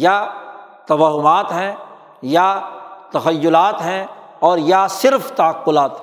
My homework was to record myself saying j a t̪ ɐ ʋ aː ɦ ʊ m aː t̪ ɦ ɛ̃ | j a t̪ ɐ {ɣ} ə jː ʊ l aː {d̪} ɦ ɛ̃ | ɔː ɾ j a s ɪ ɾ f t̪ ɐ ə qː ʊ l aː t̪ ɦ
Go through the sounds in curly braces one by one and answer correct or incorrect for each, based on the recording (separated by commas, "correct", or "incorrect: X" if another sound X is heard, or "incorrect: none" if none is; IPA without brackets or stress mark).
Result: incorrect: x, incorrect: t̪